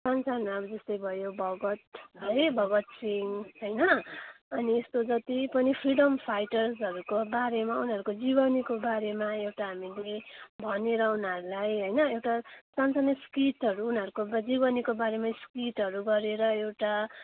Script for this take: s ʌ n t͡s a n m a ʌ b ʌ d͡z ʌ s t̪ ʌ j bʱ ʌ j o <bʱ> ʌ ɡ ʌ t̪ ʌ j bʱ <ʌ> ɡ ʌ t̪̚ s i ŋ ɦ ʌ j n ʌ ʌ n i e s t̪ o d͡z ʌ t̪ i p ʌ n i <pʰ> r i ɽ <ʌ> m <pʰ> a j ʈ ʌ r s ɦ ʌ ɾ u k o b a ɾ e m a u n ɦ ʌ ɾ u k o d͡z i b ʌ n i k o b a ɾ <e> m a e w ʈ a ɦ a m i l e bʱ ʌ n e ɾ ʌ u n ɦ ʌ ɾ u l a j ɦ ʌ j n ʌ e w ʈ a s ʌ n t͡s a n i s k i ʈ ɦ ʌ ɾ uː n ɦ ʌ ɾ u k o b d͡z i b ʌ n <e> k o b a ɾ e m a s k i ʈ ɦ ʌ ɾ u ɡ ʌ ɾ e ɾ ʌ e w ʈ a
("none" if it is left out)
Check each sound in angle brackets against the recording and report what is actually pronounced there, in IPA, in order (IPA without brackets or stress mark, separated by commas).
bʱ, ʌ, pʰ, ʌ, pʰ, e, i